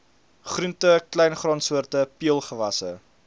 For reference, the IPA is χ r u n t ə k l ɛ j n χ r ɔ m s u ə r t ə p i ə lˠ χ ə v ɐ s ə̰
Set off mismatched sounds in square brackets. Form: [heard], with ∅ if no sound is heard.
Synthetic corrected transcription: χ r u n t ə k l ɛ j n χ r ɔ [n] s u ə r t ə p i ə lˠ χ ə v ɐ s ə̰